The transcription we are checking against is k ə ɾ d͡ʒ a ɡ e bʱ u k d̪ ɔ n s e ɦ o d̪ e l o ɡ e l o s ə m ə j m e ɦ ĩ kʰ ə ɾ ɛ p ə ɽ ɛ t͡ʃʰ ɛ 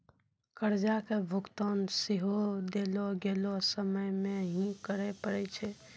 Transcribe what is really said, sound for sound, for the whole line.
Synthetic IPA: k ə ɾ d͡ʒ a k e bʱ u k t̪ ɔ n s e ɦ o d̪ e l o ɡ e l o s ə m ə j m e ɦ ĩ k ə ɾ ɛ p ə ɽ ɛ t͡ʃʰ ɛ